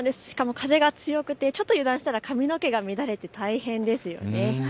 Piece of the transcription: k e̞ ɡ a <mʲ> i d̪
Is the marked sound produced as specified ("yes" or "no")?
yes